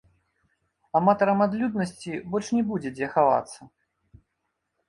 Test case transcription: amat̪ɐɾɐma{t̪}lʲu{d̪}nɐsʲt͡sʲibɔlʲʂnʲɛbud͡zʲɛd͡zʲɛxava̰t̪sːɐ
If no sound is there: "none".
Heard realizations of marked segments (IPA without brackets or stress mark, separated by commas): d̪, d̪